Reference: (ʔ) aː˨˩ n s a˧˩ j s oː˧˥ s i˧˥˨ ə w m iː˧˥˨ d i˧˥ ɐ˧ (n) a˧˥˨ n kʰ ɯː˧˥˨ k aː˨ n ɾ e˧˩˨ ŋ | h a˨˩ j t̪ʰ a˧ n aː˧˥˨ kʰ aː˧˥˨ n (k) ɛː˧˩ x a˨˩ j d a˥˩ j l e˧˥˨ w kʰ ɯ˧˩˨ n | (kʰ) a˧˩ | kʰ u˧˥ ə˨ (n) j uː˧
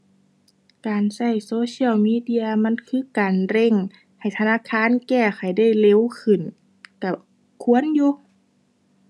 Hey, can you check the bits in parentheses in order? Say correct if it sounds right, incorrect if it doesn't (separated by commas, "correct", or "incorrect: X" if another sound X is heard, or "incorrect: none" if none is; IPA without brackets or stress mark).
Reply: incorrect: k, incorrect: m, correct, incorrect: k, correct